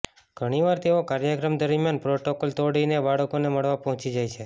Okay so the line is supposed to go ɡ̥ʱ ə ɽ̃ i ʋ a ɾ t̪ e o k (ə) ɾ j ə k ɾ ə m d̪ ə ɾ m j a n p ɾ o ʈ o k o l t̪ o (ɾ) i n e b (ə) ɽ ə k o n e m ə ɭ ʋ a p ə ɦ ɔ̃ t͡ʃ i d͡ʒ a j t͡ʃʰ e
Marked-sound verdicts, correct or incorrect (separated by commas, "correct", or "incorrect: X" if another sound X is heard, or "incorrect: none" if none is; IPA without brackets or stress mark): incorrect: a, incorrect: ɽ, incorrect: a